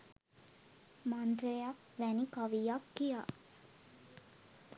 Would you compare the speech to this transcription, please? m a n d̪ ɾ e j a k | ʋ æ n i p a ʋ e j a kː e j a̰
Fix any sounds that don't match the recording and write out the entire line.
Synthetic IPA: m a n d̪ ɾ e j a k | ʋ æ n i k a ʋ i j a kː i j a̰